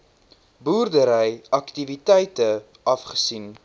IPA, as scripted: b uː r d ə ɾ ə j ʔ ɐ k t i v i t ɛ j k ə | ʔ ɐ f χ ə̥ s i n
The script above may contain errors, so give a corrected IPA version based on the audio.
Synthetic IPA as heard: b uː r d ə ɾ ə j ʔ ɐ k t i v i t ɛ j t ə | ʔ ɐ f χ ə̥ s i n